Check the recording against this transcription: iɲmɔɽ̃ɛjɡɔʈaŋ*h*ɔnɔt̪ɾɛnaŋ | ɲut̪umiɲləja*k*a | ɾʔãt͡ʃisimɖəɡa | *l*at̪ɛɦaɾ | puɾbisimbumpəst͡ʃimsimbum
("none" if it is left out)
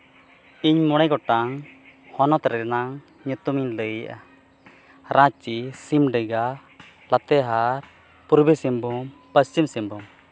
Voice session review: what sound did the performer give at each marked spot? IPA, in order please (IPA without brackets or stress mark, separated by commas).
h, ʔ, l